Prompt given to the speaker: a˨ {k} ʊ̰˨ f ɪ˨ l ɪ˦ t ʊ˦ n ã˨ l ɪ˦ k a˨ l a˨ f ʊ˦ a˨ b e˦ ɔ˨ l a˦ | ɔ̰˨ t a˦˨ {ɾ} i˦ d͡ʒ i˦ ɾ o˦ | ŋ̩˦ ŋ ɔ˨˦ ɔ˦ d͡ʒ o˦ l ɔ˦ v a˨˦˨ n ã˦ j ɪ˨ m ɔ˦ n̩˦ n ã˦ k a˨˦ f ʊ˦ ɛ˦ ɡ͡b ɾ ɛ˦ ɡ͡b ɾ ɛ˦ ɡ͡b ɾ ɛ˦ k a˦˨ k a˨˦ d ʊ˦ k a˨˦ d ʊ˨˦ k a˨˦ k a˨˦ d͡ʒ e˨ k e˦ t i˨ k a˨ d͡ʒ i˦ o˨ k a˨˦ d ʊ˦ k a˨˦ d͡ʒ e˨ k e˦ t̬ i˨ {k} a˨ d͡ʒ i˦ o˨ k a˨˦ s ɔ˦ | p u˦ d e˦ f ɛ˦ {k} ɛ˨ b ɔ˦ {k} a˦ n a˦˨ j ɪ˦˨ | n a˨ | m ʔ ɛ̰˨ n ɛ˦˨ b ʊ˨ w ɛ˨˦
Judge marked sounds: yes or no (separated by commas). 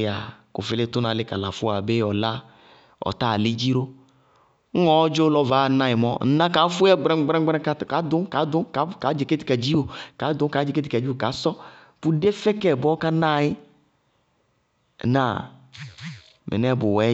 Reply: yes, no, yes, yes, yes